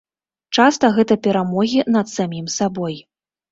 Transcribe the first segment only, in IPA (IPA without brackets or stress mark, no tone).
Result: t͡ʂ